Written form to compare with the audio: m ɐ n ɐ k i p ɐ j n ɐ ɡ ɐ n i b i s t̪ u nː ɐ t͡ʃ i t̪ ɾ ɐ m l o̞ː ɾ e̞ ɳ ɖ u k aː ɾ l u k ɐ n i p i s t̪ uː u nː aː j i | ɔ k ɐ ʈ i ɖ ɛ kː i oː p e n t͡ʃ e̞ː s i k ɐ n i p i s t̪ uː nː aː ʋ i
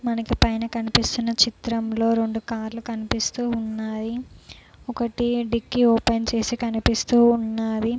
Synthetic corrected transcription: m ɐ n ɐ k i p ɐ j n ɐ k ɐ n i p i s t̪ u nː ɐ t͡ʃ i t̪ ɾ ɐ m l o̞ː ɾ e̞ ɳ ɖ u k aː ɾ l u k ɐ n i p i s t̪ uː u nː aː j i | ɔ k ɐ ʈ i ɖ i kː i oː p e n t͡ʃ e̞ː s i k ɐ n i p i s t̪ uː nː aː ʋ i